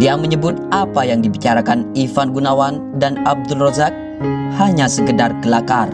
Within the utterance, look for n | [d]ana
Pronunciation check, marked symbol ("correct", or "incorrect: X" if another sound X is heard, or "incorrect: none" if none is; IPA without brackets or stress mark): correct